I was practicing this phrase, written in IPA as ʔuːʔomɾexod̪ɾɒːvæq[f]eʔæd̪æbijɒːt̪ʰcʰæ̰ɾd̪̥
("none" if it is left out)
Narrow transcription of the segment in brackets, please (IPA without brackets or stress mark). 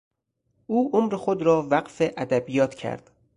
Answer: f